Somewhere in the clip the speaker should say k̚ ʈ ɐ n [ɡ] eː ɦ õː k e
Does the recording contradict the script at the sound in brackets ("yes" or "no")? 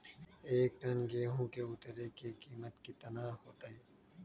no